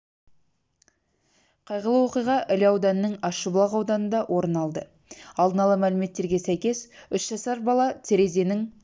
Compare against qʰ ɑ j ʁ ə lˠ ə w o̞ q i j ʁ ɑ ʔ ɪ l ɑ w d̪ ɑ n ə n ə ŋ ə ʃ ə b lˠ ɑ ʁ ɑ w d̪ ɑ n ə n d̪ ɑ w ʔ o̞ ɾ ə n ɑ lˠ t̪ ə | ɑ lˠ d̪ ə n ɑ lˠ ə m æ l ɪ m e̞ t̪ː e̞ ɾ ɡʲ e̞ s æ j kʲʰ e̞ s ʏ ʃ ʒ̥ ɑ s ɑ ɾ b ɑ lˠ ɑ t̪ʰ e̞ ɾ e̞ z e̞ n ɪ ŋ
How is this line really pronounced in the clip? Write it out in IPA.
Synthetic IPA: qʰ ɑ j ʁ ə lˠ ə w o̞ q i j ʁ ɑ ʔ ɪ l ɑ w d̪ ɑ n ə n ə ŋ ɑ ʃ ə b lˠ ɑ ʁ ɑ w d̪ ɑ n ə n d̪ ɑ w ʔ o̞ ɾ ə n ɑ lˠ d̪ ə | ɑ lˠ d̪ ə n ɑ lˠ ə m æ l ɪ m e̞ t̪ː e̞ ɾ ɡʲ e̞ s æ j kʲ e̞ s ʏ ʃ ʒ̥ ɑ s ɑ ɾ b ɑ lˠ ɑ t̪ʰ e̞ ɾ e̞ z e̞ n ɪ ŋ